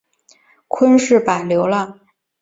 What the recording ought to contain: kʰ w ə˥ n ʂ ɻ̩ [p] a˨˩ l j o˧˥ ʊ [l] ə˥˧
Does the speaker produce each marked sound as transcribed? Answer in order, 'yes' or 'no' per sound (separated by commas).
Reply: yes, yes